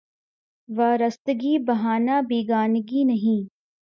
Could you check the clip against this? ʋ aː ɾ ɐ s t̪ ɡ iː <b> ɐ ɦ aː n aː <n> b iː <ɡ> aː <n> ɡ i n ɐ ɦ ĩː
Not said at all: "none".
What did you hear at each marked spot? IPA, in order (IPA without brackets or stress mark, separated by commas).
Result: b, none, ɡ, n